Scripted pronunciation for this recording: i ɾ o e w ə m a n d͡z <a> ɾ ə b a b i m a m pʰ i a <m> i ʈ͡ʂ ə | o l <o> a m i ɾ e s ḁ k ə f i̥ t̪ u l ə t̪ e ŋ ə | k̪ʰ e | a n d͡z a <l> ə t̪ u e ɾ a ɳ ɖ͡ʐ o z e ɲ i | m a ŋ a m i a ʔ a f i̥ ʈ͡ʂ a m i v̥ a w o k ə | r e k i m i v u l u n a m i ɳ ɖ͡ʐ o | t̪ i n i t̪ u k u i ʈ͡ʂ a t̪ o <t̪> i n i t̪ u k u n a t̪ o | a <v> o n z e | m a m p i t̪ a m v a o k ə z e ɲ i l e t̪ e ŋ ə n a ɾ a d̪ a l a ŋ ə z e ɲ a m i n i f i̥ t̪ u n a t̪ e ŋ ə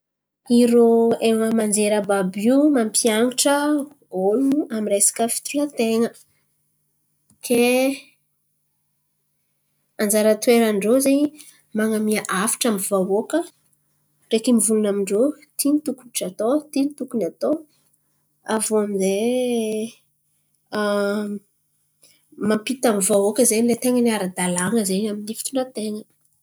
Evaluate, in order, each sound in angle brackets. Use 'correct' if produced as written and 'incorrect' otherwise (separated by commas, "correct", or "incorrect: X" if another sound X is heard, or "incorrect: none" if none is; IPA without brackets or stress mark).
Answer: incorrect: e, incorrect: ŋ, incorrect: u, incorrect: ɾ, correct, correct